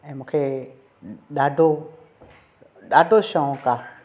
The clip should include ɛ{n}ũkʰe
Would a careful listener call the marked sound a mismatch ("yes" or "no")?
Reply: yes